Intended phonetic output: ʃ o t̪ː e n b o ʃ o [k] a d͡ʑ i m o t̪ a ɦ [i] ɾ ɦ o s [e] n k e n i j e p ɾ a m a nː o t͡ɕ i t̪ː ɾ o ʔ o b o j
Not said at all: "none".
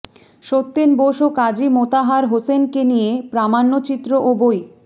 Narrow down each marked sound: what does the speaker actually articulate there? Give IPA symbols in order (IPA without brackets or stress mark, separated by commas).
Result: k, a, e